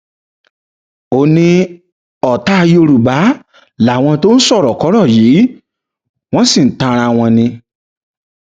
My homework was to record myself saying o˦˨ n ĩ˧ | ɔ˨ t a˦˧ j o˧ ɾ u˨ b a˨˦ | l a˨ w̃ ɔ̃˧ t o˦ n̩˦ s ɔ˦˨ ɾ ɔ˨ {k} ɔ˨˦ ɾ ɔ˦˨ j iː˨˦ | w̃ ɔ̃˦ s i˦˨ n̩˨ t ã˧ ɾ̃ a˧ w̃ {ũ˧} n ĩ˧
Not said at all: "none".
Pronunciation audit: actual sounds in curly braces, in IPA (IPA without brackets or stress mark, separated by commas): k, ɔ̃˧